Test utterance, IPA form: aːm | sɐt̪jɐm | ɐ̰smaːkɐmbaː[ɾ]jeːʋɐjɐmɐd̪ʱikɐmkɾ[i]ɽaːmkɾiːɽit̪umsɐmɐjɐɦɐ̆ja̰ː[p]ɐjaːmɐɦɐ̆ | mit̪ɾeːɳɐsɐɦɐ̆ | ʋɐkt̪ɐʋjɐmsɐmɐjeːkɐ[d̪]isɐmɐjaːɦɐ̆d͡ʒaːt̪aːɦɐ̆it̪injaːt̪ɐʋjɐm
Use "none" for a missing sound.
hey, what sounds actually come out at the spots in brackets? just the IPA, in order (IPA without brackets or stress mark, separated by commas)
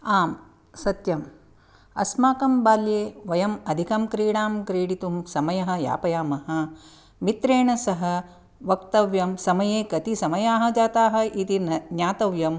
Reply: l, iː, p, t̪